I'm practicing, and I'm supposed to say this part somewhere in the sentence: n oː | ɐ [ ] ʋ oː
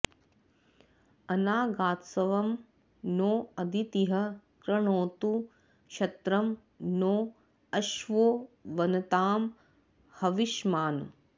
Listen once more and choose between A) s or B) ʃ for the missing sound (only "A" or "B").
B